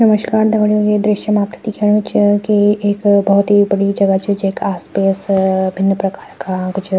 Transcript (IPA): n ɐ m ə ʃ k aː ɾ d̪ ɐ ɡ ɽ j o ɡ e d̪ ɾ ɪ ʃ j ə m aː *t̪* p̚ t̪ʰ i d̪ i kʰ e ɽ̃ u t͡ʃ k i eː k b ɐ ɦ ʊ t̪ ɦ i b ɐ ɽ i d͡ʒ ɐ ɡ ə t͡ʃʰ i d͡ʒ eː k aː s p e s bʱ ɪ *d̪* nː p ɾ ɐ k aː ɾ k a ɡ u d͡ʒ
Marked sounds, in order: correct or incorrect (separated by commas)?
incorrect, incorrect